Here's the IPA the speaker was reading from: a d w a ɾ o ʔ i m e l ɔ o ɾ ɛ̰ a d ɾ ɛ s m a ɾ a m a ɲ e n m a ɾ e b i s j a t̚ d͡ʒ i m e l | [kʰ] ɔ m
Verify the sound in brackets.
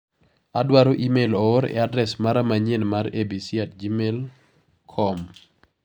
correct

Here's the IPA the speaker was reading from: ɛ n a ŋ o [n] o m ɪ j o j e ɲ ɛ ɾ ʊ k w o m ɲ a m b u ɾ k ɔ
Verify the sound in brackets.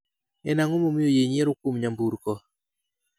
incorrect: m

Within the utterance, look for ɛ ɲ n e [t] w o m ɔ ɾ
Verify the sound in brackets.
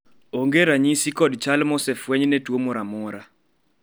correct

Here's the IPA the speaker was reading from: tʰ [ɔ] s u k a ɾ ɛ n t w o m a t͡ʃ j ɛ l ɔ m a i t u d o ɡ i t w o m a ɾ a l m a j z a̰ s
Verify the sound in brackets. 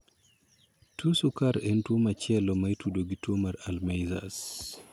incorrect: u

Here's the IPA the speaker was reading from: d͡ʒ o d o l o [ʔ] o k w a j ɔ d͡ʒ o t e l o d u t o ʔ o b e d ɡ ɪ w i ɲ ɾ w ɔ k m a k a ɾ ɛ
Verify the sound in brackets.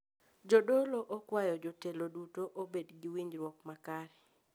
correct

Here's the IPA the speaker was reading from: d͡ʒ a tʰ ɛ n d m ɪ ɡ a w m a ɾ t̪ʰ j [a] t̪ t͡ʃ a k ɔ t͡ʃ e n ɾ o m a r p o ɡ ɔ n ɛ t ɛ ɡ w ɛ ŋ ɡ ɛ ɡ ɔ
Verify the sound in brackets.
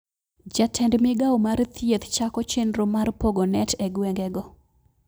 incorrect: e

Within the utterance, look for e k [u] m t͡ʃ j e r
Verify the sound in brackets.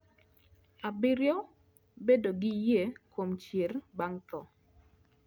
incorrect: o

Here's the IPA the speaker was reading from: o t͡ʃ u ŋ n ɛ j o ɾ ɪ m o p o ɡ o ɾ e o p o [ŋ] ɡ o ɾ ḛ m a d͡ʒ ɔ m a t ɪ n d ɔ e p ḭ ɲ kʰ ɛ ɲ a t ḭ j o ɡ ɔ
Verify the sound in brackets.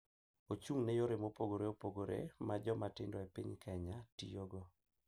incorrect: none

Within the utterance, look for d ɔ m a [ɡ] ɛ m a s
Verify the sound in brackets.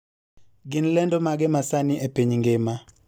correct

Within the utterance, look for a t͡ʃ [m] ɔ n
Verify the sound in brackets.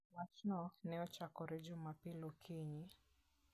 incorrect: n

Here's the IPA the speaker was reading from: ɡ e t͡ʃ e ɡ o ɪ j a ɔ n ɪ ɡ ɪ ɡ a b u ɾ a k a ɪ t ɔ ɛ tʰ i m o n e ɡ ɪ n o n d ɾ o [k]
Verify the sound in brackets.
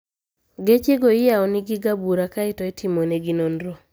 incorrect: none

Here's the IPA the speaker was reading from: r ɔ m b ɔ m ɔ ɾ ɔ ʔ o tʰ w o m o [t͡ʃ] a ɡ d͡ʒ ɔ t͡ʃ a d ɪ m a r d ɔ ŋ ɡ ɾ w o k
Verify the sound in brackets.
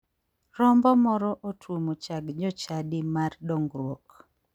correct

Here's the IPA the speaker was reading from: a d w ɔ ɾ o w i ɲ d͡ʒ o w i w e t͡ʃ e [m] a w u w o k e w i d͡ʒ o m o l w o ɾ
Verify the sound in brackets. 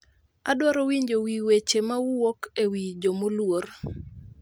correct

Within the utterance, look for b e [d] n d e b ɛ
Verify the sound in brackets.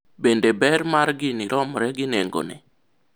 incorrect: none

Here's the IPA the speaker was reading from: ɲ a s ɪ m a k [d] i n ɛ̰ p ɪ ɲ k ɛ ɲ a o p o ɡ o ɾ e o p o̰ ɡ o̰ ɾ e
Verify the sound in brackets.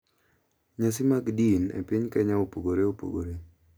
correct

